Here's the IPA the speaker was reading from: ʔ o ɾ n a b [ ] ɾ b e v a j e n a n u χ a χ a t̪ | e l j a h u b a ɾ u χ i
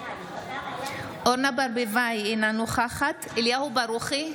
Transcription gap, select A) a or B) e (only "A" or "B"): A